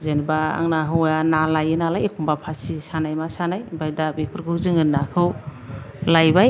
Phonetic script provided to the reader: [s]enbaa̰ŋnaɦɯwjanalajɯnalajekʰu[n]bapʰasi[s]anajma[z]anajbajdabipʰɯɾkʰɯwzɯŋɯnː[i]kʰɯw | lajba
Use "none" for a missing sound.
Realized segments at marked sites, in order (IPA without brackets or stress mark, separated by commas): z, m, s, s, a